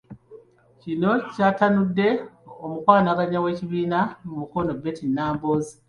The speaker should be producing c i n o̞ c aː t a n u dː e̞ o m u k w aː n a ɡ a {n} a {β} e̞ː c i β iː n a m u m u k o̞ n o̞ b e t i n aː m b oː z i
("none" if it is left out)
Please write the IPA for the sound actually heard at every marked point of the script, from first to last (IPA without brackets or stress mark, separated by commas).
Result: ɲ, w